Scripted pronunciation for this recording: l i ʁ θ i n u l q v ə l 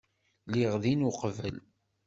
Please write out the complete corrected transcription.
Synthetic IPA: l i ʁ ð i n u q v ə l